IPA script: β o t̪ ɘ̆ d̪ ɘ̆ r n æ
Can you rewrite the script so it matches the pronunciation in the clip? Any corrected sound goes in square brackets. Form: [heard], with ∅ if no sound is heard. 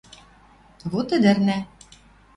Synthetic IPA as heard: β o t̪ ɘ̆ d̪ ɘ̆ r n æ